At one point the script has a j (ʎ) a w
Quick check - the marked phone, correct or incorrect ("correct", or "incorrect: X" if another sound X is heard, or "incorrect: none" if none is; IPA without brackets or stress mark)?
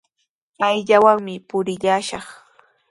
correct